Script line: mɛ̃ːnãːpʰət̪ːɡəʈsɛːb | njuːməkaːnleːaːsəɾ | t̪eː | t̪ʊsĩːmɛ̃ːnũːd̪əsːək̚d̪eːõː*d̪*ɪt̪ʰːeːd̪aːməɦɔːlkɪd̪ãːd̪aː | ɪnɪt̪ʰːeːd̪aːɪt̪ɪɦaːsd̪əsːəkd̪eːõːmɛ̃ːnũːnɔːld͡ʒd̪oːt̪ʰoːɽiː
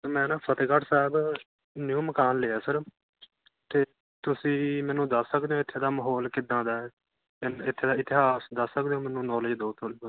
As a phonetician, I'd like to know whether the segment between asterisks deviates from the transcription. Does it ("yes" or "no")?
yes